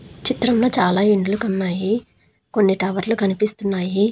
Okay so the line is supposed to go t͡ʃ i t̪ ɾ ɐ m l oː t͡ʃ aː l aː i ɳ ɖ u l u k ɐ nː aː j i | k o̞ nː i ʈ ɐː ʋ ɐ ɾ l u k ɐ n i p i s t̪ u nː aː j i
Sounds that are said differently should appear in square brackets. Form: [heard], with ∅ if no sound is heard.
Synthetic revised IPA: t͡ʃ i t̪ ɾ ɐ m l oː t͡ʃ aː l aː i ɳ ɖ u l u k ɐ nː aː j i | k o̞ nː i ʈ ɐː ʋ ɐ ɾ l u k ɐ n i p i s t̪ u nː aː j i